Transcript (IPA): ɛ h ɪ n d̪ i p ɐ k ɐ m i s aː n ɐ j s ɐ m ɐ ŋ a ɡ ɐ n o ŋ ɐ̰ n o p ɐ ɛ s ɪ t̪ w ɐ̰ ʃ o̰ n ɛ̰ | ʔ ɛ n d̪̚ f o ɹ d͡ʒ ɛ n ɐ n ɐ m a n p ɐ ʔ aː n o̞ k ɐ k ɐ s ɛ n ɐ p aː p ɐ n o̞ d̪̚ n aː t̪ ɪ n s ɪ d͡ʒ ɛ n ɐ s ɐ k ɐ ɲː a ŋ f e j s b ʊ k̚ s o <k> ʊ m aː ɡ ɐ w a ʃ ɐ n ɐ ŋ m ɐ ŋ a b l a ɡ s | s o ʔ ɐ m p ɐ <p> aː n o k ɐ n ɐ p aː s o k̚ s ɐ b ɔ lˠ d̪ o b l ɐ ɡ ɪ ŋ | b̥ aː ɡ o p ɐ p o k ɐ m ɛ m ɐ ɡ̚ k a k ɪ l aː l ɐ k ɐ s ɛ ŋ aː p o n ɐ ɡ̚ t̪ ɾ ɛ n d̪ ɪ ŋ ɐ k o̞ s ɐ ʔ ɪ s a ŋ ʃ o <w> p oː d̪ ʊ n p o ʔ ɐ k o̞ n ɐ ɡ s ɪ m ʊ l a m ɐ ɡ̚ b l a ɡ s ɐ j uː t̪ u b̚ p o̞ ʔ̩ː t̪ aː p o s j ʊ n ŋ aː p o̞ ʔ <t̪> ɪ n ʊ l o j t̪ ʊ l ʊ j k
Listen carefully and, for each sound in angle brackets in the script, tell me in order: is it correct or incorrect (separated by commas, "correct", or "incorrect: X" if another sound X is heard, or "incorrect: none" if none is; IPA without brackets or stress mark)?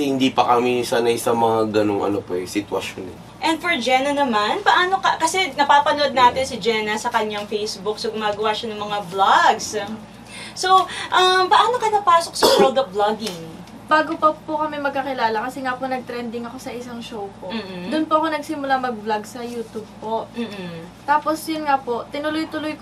incorrect: ɡ, incorrect: ʔ, correct, correct